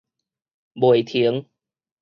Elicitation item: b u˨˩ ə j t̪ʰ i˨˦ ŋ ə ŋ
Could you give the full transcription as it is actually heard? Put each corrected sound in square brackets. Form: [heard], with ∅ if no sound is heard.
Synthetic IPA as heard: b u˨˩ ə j t̪ʰ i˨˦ [∅] ə ŋ